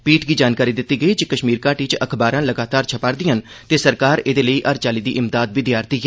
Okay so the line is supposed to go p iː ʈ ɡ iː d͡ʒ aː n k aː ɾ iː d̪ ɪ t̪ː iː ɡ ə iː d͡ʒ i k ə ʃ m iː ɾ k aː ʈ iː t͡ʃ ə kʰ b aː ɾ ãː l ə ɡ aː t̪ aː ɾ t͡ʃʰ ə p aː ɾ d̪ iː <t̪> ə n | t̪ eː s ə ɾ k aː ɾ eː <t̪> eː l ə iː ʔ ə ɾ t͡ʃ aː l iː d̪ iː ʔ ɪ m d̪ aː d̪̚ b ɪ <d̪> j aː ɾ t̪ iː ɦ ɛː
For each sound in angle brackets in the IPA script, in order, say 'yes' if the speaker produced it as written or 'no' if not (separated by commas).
no, no, yes